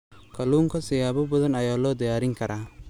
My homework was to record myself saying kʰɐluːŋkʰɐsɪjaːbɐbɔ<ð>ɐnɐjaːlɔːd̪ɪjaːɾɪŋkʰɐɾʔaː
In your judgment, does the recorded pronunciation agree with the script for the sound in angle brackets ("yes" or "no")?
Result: yes